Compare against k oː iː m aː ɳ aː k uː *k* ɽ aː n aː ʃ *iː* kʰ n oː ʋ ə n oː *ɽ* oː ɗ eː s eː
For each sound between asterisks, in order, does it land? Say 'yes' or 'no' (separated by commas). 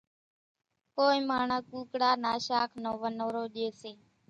yes, no, no